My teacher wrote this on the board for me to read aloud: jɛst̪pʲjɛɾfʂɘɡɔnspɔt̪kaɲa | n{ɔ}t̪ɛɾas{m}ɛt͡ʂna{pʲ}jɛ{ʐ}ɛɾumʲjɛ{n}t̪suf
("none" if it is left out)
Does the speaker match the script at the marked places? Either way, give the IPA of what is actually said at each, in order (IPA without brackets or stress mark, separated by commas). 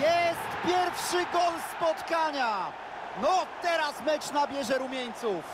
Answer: ɔ, m, bʲ, ʐ, ɲ